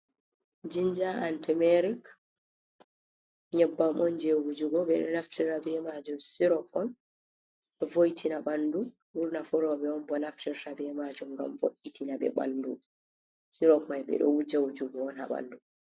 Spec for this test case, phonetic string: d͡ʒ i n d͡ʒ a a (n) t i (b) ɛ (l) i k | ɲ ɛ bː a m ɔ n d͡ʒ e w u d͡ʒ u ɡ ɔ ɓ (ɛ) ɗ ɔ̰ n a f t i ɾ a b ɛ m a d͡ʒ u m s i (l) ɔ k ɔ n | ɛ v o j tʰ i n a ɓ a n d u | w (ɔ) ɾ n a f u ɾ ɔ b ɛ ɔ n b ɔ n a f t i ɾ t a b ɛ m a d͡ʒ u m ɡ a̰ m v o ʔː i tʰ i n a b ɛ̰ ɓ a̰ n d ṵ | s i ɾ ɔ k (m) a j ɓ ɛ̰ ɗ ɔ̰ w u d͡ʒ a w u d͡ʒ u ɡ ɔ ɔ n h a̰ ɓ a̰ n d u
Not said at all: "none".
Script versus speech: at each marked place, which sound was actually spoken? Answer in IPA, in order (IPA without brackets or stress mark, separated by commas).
n, m, ɾ, ɛ, ɾ, u, m